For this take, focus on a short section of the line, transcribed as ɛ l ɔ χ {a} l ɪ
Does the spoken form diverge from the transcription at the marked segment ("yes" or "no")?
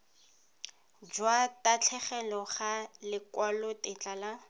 no